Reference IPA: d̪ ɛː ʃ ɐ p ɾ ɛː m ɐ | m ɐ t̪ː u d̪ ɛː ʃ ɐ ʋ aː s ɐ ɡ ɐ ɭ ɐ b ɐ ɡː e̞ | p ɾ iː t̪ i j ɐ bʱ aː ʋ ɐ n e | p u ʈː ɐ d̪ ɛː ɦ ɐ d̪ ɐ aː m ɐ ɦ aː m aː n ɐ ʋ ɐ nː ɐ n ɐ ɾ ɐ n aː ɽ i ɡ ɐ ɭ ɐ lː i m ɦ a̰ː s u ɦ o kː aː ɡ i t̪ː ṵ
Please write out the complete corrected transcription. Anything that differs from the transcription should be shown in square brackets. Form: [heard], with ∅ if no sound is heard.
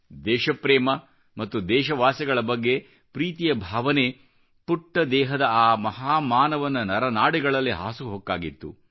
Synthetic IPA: d̪ ɛː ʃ ɐ p ɾ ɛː m ɐ | m ɐ t̪ː u d̪ ɛː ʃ ɐ ʋ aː s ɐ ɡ ɐ ɭ ɐ b ɐ ɡː e̞ | p ɾ iː t̪ i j ɐ bʱ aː ʋ ɐ n e | p u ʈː ɐ d̪ ɛː ɦ ɐ d̪ ɐ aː m ɐ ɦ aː m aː n ɐ ʋ ɐ nː ɐ n ɐ ɾ ɐ n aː ɽ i ɡ ɐ ɭ ɐ lː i [∅] ɦ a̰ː s u ɦ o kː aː ɡ i t̪ː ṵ

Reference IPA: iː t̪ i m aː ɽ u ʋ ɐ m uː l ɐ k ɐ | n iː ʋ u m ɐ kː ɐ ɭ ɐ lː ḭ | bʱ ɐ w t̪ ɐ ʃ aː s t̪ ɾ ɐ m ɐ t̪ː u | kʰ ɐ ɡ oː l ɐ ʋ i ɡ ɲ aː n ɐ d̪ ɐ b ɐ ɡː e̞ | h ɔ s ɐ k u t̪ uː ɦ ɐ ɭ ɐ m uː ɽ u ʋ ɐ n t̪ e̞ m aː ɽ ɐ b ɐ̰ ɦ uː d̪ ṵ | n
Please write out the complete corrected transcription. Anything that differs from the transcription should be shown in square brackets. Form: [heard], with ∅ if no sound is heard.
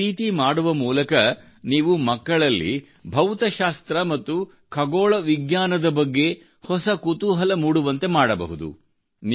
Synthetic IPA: iː t̪ i m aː ɽ u ʋ ɐ m uː l ɐ k ɐ | n iː ʋ u m ɐ kː ɐ ɭ ɐ lː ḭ | bʱ ɐ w t̪ ɐ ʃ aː s t̪ ɾ ɐ m ɐ t̪ː u | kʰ ɐ ɡ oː [ɭ] ɐ ʋ i ɡ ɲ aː n ɐ d̪ ɐ b ɐ ɡː e̞ | h ɔ s ɐ k u t̪ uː ɦ ɐ [l] ɐ m uː ɽ u ʋ ɐ n t̪ e̞ m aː ɽ ɐ b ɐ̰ ɦ [u] d̪ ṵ | n

